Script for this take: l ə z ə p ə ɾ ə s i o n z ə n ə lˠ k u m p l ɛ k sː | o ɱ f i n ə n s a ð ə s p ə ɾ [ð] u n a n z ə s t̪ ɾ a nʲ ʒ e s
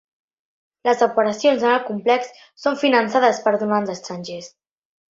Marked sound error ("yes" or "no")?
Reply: no